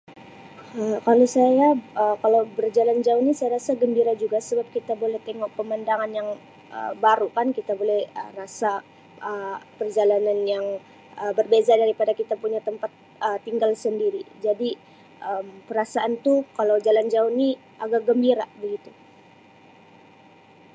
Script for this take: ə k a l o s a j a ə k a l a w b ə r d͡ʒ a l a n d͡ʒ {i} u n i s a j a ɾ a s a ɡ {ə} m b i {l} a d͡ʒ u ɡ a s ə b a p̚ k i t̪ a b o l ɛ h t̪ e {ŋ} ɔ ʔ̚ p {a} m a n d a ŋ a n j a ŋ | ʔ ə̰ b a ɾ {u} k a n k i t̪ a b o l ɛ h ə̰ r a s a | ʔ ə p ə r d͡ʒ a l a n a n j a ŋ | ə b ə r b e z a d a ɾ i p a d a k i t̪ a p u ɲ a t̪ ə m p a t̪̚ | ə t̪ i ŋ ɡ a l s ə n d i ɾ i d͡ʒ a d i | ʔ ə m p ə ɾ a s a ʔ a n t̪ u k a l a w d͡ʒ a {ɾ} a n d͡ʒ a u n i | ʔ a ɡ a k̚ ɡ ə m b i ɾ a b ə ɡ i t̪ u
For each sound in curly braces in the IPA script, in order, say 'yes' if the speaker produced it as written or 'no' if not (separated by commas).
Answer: no, yes, no, yes, no, yes, no